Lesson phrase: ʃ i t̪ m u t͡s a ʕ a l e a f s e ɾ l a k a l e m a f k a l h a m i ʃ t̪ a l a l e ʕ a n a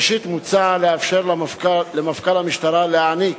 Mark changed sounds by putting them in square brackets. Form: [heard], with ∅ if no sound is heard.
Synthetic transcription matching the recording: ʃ i t̪ m u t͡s a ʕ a l e a f [ʃ] e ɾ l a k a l e m a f k a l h a m i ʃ t̪ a [ɾ] a l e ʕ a n [i]